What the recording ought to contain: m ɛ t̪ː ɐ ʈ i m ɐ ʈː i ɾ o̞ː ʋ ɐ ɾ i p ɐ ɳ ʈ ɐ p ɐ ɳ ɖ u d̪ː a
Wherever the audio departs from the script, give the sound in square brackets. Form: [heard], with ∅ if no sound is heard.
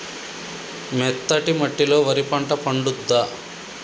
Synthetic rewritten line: m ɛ t̪ː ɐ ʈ i m ɐ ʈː i [l] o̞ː ʋ ɐ ɾ i p ɐ ɳ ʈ ɐ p ɐ ɳ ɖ u d̪ː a

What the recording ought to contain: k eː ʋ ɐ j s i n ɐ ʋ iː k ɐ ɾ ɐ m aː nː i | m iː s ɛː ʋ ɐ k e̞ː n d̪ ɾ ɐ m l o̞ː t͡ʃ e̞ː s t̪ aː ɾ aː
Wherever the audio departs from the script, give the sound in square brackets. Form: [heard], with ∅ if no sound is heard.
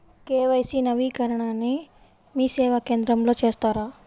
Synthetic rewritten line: k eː ʋ ɐ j s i n ɐ ʋ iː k ɐ ɾ ɐ [ɳ] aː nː i | m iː s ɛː ʋ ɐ k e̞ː n d̪ ɾ ɐ m l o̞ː t͡ʃ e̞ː s t̪ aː ɾ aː

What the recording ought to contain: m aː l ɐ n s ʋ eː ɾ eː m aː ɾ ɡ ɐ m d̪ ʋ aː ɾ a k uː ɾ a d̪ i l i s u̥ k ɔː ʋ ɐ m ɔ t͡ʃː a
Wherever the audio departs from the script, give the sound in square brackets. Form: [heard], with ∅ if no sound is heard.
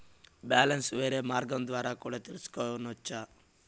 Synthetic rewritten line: [b] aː l ɐ n s ʋ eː ɾ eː m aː ɾ ɡ ɐ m d̪ ʋ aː ɾ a k uː [ɽ] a [t̪] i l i s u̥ k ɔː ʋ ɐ [n] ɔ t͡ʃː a

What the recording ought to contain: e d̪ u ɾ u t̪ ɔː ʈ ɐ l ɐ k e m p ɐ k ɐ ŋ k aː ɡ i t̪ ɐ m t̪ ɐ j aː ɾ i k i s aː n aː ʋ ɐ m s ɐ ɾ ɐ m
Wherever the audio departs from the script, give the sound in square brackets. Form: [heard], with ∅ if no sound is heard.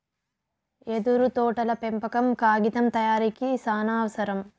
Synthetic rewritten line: e d̪ u ɾ u t̪ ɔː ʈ ɐ l ɐ [p] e m p ɐ k ɐ [m] k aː ɡ i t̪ ɐ m t̪ ɐ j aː ɾ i k i s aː n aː ʋ ɐ [∅] s ɐ ɾ ɐ m

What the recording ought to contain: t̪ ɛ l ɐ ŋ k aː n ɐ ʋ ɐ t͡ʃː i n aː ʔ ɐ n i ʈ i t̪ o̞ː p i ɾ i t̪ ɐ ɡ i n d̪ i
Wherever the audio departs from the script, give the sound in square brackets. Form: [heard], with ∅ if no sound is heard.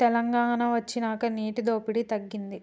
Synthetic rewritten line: t̪ ɛ l ɐ ŋ [ɡ] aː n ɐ ʋ ɐ t͡ʃː i n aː [k] ɐ n [iː] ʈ i [d̪] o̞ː p i [ɽ] i t̪ ɐ [ɡː] i n d̪ i

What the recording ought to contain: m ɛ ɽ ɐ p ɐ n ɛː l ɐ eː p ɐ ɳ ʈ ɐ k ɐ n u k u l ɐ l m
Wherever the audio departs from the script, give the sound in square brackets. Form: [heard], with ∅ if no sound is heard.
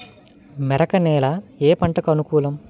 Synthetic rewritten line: m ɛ [ɾ] ɐ [k] ɐ n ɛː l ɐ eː p ɐ ɳ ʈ ɐ k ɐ n u k [uː] l ɐ [∅] m

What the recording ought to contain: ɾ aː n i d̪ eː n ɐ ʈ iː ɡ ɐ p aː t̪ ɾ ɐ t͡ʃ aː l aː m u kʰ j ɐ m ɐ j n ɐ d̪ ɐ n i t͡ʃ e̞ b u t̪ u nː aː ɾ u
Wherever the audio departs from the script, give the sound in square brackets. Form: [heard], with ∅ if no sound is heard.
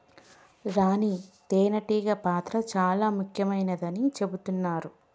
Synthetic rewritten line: ɾ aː n i [t̪] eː n ɐ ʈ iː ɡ ɐ p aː t̪ ɾ ɐ t͡ʃ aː l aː m u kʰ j ɐ m ɐ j n ɐ d̪ ɐ n i t͡ʃ e̞ b u t̪ u nː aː ɾ u

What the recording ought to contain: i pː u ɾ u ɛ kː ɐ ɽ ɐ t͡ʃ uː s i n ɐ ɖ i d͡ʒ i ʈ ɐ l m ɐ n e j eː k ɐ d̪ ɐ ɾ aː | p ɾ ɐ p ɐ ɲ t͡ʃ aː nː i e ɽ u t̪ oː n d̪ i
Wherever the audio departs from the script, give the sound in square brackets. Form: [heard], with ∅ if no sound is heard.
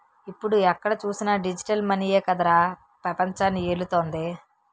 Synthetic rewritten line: i pː u [ɽ] u ɛ kː ɐ ɽ ɐ t͡ʃ uː s i n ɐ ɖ i d͡ʒ i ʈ ɐ l m ɐ n [i] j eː k ɐ d̪ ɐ ɾ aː | p ɾ ɐ p ɐ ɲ t͡ʃ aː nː i e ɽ u t̪ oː n d̪ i

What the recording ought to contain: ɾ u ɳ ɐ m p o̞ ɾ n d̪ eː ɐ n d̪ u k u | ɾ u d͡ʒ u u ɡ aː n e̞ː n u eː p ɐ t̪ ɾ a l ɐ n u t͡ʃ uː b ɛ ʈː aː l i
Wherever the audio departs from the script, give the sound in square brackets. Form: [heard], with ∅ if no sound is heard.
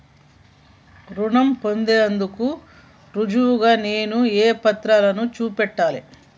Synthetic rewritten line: ɾ u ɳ ɐ m p o̞ [∅] n d̪ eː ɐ n d̪ u k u | ɾ u d͡ʒ u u ɡ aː n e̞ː n u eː p ɐ t̪ ɾ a l ɐ n u t͡ʃ uː [p] ɛ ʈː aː l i

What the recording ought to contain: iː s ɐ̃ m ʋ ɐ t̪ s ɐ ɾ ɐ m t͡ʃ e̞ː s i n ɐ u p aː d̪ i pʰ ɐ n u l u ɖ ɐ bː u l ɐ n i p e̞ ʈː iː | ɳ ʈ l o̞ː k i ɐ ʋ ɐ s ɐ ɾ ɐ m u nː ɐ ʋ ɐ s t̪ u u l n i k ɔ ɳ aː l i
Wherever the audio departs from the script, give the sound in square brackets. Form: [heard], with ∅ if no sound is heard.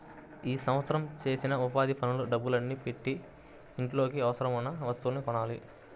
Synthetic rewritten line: iː s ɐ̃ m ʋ ɐ t̪ s ɐ ɾ ɐ m t͡ʃ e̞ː s i n ɐ u p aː d̪ i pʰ ɐ n u l u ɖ ɐ bː u l ɐ [nː] i p e̞ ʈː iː | ɳ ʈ l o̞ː k i ɐ ʋ ɐ s ɐ ɾ ɐ m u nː ɐ ʋ ɐ s t̪ u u l n i k ɔ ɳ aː l i

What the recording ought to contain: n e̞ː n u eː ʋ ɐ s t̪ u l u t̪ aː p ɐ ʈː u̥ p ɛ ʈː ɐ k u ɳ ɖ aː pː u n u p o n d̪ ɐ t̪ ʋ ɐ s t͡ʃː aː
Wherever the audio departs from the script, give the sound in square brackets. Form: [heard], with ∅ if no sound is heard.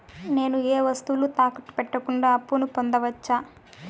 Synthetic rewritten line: n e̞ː n u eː ʋ ɐ s t̪ u l u t̪ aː [k] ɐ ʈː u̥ p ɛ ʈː ɐ k u ɳ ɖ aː pː u n u p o n d̪ ɐ [∅] ʋ ɐ [∅] t͡ʃː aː

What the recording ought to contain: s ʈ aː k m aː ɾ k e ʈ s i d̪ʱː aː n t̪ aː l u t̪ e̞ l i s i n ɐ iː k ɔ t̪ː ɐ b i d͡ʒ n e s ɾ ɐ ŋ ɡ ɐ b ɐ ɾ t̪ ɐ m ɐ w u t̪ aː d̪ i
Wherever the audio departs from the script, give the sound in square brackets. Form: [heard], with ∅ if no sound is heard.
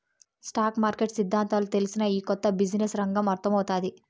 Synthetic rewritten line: s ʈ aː k m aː ɾ k e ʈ s i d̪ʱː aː n t̪ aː l u t̪ e̞ l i s i n ɐ iː k ɔ t̪ː ɐ b i d͡ʒ n e s ɾ ɐ ŋ ɡ ɐ [m] ɐ ɾ t̪ ɐ m ɐ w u t̪ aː d̪ i

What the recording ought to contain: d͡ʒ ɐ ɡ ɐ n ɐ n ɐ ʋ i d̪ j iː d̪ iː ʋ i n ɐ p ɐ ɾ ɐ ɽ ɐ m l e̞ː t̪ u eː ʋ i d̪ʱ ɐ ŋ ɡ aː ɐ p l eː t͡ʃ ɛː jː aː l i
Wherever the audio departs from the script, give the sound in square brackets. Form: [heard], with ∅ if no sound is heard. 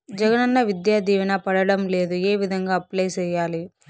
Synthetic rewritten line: d͡ʒ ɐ ɡ ɐ n ɐ [nː] ɐ ʋ i d̪ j [aː] d̪ iː ʋ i n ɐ p ɐ [ɽ] ɐ ɽ ɐ m l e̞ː [d̪] u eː ʋ i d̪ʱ ɐ ŋ ɡ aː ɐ p l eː t͡ʃ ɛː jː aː l i

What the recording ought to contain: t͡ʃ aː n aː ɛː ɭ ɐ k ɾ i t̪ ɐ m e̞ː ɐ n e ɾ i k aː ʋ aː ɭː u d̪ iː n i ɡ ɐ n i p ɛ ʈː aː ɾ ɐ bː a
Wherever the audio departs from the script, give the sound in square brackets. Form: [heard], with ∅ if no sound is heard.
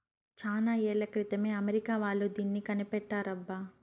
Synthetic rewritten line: t͡ʃ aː n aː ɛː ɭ ɐ k ɾ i t̪ ɐ m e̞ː ɐ [m] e ɾ i k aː ʋ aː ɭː u d̪ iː [nː] i [k] ɐ n i p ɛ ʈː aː ɾ ɐ bː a

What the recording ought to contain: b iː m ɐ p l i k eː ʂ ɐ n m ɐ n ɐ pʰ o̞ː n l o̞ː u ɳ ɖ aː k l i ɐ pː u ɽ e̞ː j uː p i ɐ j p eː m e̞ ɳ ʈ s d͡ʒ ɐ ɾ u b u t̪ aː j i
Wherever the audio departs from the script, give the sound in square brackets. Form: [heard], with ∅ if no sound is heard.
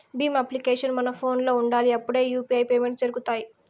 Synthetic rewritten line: b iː m ɐ p l i k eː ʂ ɐ n m ɐ n ɐ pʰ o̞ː n l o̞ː u ɳ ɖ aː [∅] l i ɐ pː u ɽ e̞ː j uː p i ɐ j p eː m e̞ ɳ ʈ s d͡ʒ ɐ ɾ u [ɡ] u t̪ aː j i

